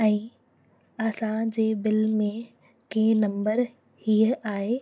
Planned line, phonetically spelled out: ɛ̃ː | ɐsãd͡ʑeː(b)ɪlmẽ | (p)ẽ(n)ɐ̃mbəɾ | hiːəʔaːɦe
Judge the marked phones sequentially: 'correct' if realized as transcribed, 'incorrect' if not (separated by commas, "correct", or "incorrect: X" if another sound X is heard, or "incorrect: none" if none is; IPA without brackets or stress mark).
correct, incorrect: k, correct